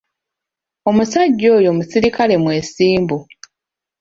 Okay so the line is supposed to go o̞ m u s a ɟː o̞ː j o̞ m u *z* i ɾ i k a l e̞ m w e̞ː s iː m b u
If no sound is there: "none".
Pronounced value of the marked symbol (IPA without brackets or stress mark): s